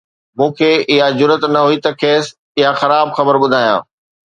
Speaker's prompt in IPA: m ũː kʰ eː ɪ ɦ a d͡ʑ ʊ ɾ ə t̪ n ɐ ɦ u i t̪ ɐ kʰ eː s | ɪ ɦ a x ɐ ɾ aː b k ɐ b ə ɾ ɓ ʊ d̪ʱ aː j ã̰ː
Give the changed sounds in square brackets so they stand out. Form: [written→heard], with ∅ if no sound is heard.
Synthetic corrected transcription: m ũː kʰ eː ɪ ɦ a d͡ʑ ʊ ɾ ə t̪ n ɐ ɦ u i t̪ ɐ kʰ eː s | ɪ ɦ a x ɐ ɾ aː b [k→x] ɐ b ə ɾ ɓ ʊ d̪ʱ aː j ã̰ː